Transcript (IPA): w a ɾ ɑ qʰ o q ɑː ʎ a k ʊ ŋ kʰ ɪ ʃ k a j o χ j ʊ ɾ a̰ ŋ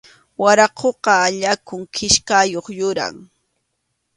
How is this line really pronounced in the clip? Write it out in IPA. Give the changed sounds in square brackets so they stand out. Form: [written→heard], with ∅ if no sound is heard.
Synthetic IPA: w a ɾ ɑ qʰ o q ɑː ʎ a k ʊ ŋ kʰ ɪ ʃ k a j o χ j ʊ ɾ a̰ ŋ